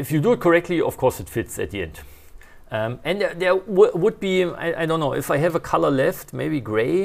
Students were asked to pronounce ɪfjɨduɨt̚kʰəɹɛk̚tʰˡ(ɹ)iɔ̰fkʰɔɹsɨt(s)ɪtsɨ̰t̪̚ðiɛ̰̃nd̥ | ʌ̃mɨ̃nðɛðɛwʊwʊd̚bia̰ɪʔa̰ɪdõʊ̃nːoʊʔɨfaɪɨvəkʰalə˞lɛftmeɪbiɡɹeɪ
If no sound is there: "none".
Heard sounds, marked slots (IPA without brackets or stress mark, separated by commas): l, f